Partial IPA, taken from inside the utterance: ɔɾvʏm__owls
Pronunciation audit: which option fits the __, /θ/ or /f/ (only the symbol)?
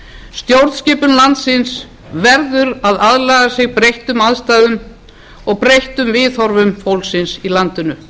f